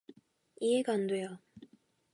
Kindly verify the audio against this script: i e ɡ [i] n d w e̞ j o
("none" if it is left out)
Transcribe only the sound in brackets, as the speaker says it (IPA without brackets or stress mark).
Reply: a